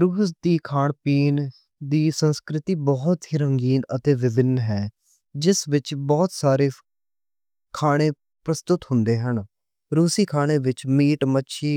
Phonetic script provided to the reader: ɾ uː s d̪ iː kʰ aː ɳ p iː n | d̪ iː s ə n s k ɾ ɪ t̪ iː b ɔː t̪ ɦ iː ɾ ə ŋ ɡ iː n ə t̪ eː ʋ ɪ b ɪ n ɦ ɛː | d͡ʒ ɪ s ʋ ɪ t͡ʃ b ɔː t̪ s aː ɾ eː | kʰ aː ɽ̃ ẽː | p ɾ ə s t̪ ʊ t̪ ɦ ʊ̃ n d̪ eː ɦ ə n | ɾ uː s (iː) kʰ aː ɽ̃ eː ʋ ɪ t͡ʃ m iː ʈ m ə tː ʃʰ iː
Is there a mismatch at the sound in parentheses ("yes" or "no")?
no